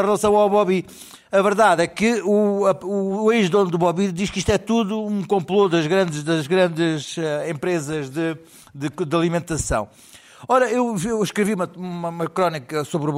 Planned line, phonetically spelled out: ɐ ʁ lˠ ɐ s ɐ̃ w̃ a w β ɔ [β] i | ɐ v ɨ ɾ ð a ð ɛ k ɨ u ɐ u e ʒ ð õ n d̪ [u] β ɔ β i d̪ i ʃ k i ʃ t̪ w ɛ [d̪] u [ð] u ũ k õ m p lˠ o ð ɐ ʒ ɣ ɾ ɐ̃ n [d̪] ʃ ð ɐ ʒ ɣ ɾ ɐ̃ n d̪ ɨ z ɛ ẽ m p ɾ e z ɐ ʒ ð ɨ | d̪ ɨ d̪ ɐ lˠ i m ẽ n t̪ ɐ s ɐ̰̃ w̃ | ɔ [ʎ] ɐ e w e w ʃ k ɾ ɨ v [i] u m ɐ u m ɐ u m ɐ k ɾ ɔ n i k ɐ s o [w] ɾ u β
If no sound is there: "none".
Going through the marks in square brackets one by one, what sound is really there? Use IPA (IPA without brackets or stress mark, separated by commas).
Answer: β, u, t̪, ð, d̪, ɾ, i, β